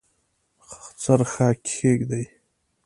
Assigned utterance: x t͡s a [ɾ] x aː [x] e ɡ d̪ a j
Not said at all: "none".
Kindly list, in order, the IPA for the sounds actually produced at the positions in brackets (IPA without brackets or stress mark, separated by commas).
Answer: ɾ, k